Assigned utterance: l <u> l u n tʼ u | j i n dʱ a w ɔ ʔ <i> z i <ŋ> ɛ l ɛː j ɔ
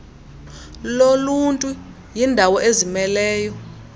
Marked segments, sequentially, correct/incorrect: incorrect: o, incorrect: e, incorrect: m

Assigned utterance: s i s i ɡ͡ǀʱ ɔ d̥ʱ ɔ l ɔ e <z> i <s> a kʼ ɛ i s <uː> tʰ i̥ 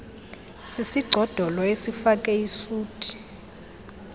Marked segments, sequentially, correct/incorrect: incorrect: s, incorrect: f, correct

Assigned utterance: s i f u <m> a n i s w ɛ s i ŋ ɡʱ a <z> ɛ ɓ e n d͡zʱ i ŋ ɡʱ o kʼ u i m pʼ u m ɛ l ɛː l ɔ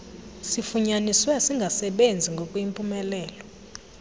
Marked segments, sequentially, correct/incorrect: incorrect: ɲ, incorrect: s

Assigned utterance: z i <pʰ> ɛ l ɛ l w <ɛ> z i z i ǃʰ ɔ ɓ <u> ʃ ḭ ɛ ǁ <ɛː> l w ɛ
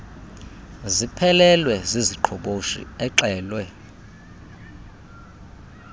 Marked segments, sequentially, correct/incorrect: correct, correct, incorrect: o, correct

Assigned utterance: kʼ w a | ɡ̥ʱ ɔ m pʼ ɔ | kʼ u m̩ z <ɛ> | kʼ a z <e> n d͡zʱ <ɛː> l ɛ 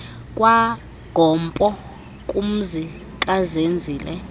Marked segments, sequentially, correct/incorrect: incorrect: i, correct, incorrect: iː

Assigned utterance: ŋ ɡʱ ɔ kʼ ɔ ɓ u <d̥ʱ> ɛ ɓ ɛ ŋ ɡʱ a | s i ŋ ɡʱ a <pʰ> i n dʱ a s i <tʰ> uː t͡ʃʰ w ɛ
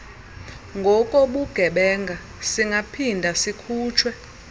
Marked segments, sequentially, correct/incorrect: incorrect: ɡ̥ʱ, correct, incorrect: kʰ

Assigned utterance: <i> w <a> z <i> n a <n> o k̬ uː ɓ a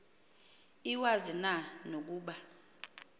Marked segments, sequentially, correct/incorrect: correct, correct, correct, correct

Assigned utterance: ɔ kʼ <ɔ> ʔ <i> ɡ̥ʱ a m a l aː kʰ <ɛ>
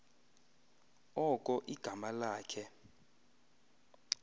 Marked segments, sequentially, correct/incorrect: correct, correct, correct

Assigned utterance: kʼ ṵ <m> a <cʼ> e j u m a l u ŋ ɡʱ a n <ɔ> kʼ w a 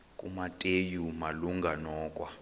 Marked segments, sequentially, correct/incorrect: correct, incorrect: tʼ, incorrect: ɔː

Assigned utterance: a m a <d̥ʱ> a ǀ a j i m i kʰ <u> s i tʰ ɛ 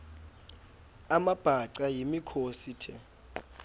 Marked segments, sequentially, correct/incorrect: incorrect: b̥ʱ, incorrect: o

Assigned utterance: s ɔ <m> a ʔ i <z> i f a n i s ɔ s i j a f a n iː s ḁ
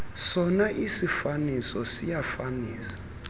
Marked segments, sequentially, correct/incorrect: incorrect: n, incorrect: s

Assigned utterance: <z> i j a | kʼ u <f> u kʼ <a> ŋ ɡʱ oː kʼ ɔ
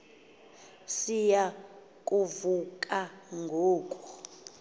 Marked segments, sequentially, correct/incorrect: incorrect: s, incorrect: v, correct

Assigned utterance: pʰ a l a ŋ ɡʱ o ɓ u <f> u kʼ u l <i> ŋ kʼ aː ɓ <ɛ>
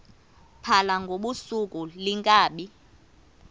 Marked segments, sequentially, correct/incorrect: incorrect: s, correct, incorrect: i

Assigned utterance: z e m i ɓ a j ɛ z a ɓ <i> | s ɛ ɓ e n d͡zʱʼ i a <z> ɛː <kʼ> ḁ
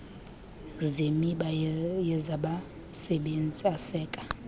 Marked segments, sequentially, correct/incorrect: incorrect: a, incorrect: s, correct

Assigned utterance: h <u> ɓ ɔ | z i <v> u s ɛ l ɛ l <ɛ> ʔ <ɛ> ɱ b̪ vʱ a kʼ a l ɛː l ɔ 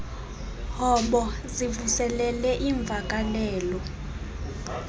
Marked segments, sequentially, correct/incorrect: incorrect: ɔ, correct, correct, incorrect: i

